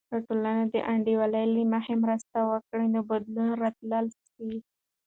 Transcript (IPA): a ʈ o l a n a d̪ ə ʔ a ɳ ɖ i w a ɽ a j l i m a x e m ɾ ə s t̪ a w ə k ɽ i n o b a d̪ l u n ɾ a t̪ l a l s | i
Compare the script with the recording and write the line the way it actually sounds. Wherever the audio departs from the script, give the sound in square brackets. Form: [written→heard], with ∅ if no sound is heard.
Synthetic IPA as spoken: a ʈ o l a n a d̪ ə ʔ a ɳ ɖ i w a [ɽ→l] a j l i m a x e m ɾ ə s t̪ a w ə k ɽ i n o b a d̪ l u n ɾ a t̪ l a l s | i